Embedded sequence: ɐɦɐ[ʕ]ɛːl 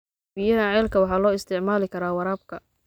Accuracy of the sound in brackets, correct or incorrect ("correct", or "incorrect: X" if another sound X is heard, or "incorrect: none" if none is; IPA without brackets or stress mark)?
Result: correct